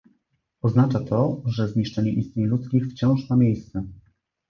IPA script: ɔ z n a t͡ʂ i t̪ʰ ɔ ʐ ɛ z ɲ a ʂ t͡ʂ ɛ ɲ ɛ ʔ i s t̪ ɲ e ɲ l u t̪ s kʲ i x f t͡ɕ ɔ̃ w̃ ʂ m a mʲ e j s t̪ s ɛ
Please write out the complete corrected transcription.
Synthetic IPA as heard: ɔ z n a t͡ʂ a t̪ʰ ɔ ʐ ɛ z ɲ i ʂ t͡ʂ ɛ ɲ ɛ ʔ i s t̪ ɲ e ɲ l u t̪ s kʲ i x f t͡ɕ ɔ̃ w̃ ʂ m a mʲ e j s t̪ s ɛ